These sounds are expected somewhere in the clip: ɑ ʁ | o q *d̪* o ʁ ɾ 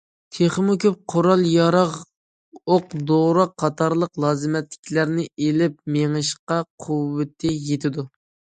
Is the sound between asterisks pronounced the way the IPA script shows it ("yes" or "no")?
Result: yes